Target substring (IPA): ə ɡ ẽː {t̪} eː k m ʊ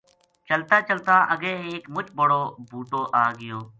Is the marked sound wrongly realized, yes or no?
yes